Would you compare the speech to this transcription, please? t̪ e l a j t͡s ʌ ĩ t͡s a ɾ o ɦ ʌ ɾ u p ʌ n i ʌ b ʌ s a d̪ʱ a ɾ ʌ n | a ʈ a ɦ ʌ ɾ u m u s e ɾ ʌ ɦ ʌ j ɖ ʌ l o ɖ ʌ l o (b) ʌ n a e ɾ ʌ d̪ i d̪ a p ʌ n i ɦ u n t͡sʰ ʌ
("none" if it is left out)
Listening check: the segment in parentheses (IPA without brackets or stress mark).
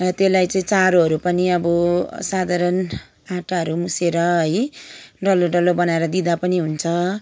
b